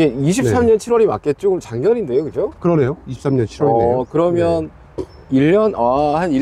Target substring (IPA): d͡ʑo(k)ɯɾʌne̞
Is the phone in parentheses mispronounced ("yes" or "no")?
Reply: no